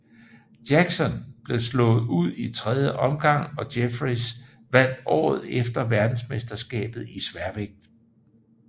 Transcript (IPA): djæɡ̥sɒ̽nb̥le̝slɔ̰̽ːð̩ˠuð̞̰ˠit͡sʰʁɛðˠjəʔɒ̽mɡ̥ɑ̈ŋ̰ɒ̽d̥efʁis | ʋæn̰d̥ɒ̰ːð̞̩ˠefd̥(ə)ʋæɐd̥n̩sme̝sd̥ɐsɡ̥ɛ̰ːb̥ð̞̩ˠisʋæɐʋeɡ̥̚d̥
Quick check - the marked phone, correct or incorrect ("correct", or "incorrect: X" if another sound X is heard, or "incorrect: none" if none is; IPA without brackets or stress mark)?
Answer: incorrect: ɐ